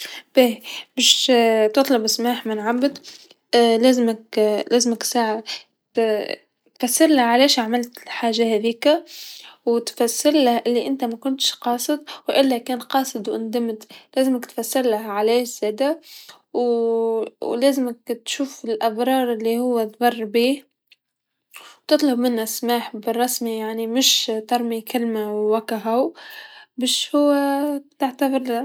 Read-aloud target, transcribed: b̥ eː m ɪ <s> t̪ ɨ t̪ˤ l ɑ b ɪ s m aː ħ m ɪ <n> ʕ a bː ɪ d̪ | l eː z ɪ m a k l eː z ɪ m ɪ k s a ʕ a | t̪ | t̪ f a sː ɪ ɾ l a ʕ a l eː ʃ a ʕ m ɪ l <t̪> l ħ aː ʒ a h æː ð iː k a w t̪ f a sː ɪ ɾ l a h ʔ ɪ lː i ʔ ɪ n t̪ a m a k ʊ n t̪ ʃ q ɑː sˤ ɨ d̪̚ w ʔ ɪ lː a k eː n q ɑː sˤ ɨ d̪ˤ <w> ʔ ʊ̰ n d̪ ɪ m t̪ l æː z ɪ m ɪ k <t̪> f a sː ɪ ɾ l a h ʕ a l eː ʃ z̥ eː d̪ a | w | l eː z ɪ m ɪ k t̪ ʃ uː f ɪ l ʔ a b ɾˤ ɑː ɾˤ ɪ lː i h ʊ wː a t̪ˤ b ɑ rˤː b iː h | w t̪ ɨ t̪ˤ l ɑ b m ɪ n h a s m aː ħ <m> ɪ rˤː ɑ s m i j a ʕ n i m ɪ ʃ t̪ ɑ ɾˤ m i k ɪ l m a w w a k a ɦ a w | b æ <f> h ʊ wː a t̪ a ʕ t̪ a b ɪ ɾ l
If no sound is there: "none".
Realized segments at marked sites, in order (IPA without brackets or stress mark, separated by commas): ʃ, n, t̪, w, t̪, b, ʃ